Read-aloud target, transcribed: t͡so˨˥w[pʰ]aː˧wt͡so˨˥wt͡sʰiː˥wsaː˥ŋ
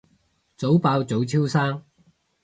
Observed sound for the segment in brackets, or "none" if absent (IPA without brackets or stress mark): p